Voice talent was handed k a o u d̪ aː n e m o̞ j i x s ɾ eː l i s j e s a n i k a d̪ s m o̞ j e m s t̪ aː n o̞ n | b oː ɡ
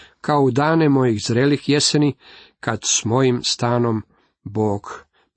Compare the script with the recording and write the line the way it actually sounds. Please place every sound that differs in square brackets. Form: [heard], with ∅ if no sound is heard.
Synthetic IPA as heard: k a o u d̪ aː n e m o̞ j i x [z] ɾ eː l i [x] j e s [e] n i k a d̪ s m o̞ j [i] m s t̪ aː n o̞ [m] | b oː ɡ